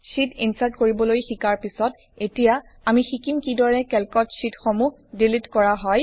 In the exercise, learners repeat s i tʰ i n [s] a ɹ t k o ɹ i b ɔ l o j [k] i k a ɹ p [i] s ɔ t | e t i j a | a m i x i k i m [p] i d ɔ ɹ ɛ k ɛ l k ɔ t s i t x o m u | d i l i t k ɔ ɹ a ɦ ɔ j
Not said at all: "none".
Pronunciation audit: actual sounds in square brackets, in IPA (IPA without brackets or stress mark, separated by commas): s, x, i, k